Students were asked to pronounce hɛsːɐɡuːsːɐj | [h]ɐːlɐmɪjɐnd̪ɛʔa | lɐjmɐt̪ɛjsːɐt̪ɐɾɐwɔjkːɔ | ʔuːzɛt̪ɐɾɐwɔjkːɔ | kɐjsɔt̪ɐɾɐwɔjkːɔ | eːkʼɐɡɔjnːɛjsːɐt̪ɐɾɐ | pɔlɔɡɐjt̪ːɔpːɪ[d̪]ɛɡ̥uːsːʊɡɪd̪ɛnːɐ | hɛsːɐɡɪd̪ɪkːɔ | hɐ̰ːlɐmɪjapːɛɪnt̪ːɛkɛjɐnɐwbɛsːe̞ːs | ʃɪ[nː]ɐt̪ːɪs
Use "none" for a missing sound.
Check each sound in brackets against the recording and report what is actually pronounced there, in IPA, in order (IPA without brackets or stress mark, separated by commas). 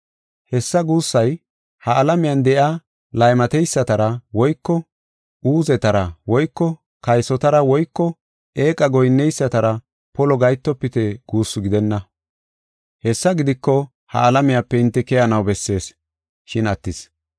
h, t̪, n